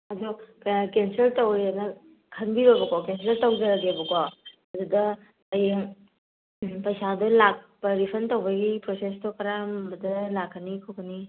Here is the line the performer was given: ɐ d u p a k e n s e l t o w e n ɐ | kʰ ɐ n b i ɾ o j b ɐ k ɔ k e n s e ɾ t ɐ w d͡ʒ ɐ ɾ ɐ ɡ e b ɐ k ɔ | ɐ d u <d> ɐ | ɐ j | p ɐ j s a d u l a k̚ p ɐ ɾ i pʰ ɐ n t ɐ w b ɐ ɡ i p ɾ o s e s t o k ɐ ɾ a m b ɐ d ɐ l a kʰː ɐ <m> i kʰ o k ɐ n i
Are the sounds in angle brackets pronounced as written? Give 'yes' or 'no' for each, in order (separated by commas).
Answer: yes, no